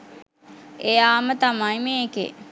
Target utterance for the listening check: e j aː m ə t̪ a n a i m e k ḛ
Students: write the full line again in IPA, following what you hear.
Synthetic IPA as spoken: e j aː m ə t̪ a m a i m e k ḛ